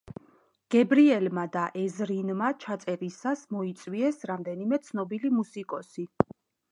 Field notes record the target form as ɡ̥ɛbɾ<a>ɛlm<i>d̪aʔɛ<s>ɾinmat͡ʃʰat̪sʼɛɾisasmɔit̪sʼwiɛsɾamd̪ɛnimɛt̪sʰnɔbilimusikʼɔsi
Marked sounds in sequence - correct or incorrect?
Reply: incorrect: i, incorrect: a, incorrect: z

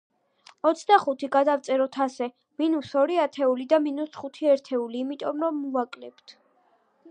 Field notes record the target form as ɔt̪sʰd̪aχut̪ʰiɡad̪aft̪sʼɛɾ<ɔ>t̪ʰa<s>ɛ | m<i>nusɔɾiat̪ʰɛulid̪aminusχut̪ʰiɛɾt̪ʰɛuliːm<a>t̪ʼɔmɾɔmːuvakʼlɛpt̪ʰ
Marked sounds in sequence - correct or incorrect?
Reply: correct, correct, correct, incorrect: i

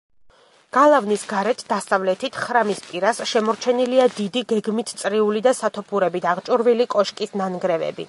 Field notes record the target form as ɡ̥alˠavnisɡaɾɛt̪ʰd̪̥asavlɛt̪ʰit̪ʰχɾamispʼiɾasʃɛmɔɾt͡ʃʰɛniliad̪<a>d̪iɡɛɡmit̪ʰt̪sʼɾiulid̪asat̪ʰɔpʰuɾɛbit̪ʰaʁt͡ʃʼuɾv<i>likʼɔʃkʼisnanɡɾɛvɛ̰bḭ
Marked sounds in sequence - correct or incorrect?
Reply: incorrect: i, correct

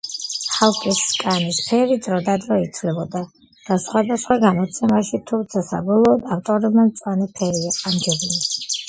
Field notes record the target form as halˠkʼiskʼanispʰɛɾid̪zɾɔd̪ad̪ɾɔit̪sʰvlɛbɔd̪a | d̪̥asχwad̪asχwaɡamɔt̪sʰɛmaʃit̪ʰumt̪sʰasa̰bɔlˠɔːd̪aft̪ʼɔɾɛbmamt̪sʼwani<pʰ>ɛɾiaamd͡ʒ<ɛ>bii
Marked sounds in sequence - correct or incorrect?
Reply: correct, correct

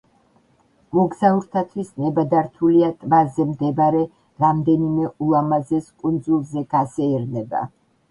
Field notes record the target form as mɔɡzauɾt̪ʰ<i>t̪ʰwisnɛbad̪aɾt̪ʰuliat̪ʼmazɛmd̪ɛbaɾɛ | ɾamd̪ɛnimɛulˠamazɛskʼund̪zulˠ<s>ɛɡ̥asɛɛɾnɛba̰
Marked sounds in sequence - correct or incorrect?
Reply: incorrect: a, incorrect: z

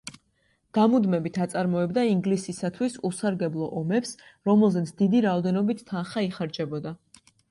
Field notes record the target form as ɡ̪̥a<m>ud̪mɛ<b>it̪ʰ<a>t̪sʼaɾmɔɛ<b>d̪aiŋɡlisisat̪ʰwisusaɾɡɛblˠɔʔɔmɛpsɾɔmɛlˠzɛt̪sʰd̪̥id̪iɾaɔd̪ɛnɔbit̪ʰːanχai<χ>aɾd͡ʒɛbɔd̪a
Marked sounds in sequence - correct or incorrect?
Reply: correct, correct, correct, correct, correct

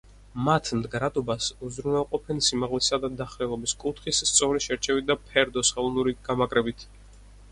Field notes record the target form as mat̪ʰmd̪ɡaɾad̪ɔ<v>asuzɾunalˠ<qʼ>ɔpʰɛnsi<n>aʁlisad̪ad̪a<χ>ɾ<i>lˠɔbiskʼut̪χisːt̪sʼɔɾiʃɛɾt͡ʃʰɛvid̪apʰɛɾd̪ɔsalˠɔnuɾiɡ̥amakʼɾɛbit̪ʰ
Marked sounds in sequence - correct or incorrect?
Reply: incorrect: b, correct, incorrect: m, correct, incorrect: ɛ

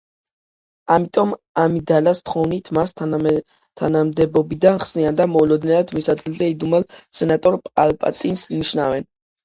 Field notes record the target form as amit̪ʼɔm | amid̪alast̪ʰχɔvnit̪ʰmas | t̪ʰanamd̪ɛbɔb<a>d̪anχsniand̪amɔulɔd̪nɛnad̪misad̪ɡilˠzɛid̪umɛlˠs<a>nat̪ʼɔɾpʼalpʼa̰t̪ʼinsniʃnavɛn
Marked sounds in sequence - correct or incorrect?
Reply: incorrect: i, incorrect: ɛ

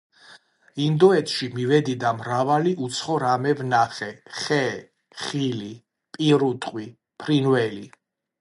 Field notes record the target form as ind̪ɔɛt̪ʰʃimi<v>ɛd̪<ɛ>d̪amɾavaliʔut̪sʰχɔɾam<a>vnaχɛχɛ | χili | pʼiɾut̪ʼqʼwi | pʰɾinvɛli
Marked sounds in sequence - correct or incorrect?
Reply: correct, incorrect: i, incorrect: ɛ

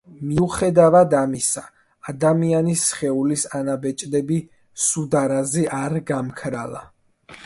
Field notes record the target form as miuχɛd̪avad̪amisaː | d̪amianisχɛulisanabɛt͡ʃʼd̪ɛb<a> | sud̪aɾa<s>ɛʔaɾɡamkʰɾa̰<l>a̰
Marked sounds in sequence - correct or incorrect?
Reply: incorrect: i, incorrect: z, correct

